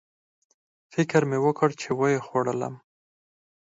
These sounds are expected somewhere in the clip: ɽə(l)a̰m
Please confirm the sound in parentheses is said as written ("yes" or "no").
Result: yes